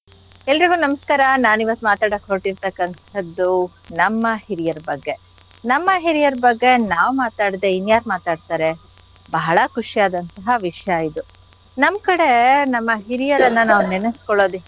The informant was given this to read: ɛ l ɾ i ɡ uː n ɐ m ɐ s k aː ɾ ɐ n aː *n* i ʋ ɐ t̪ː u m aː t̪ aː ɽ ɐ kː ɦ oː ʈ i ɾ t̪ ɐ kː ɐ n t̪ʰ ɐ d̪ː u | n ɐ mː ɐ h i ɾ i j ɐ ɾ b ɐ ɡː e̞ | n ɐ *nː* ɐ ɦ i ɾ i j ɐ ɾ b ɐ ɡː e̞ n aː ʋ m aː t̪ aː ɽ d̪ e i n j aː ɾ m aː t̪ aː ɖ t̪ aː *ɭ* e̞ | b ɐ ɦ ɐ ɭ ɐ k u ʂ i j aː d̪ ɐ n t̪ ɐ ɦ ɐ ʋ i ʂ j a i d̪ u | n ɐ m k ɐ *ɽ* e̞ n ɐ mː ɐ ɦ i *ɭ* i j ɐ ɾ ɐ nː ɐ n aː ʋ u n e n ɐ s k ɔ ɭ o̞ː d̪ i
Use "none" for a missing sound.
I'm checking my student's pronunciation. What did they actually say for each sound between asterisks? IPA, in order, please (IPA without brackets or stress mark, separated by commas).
n, mː, ɾ, ɽ, ɾ